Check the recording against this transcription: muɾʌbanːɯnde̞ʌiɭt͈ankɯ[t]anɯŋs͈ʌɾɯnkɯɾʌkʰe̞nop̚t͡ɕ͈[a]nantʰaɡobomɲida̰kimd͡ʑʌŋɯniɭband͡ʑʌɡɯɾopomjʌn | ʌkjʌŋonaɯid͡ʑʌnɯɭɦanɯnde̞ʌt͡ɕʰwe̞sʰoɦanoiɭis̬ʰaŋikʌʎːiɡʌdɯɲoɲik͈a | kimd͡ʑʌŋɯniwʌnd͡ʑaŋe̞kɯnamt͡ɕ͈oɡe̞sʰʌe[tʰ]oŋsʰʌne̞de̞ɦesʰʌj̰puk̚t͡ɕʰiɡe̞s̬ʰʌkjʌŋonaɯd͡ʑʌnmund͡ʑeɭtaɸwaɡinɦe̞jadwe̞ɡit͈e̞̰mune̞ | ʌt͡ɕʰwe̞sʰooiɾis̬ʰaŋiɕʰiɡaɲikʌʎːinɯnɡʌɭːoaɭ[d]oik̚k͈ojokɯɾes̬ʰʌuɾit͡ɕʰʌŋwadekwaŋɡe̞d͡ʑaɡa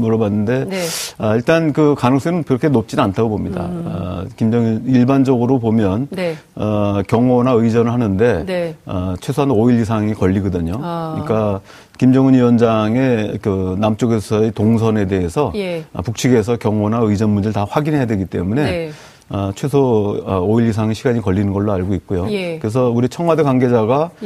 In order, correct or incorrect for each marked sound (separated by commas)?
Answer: incorrect, incorrect, incorrect, incorrect